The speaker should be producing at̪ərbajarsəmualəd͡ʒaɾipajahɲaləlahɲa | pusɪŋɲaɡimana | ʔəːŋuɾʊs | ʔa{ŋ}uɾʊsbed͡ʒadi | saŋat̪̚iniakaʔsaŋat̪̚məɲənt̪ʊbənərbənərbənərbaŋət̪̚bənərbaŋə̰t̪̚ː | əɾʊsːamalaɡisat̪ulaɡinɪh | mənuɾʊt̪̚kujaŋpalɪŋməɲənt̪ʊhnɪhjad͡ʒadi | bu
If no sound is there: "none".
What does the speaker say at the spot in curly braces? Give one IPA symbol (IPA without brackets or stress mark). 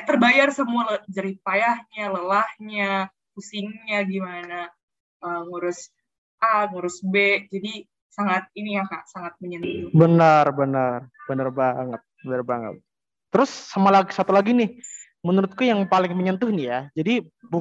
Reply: ŋ